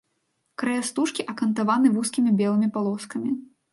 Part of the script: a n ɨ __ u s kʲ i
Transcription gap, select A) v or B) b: A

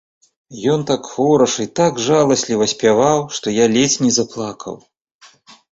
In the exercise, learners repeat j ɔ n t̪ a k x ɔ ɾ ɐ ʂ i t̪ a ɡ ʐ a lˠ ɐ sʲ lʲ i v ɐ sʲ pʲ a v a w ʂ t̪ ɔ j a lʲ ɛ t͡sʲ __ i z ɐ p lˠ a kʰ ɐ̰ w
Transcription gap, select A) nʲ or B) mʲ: A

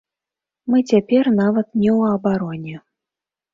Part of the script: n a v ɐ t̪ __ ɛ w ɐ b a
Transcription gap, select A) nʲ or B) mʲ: A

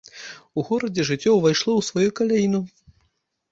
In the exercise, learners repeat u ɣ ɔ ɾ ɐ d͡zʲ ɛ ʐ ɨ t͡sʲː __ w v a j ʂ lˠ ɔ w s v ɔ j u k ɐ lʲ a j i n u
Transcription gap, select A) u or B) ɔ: B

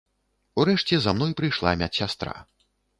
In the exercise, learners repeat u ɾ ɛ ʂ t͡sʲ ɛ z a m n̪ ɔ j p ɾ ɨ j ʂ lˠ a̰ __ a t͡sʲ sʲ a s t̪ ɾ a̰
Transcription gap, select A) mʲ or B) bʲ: A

